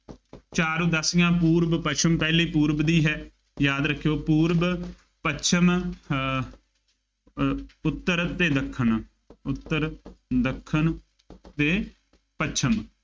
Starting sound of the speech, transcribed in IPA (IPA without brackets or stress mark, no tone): t͡ʃ